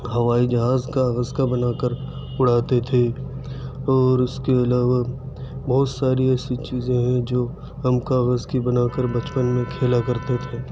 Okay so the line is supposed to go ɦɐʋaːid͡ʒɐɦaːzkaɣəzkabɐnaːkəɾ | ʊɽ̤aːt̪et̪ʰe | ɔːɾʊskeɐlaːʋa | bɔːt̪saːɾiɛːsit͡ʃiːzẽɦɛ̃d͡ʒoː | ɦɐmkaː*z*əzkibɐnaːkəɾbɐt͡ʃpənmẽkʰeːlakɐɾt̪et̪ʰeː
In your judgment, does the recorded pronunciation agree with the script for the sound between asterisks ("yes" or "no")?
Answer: no